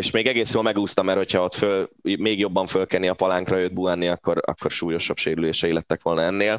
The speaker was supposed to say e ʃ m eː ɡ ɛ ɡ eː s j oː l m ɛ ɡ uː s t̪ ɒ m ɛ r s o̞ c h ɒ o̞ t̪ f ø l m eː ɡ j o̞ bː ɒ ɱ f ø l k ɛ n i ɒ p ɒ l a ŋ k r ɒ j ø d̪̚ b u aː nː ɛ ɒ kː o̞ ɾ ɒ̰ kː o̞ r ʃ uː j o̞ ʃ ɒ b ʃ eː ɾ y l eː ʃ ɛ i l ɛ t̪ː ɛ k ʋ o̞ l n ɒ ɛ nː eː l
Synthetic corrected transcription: e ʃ m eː ɡ ɛ ɡ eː s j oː l m ɛ ɡ uː s t̪ ɒ m ɛ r h o̞ c h ɒ o̞ t̪ f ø l m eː ɡ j o̞ bː ɒ ɱ f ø l k ɛ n i ɒ p ɒ l a ŋ k r ɒ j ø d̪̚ b u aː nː i ɒ kː o̞ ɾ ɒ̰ kː o̞ r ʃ uː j o̞ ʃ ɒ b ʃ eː ɾ y l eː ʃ ɛ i l ɛ t̪ː ɛ k ʋ o̞ l n ɒ ɛ nː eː l